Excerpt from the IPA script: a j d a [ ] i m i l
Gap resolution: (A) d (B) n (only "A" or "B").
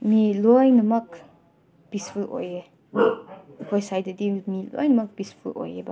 A